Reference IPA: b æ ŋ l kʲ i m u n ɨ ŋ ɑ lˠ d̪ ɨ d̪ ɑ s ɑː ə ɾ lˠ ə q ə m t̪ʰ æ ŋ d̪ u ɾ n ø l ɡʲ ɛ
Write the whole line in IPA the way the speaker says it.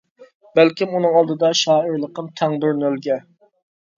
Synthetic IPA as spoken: b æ l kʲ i m u n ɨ ŋ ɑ lˠ d̪ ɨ d̪ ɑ ʃ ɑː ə ɾ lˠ ə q ə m t̪ʰ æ ŋ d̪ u ɾ n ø l ɡʲ ɛ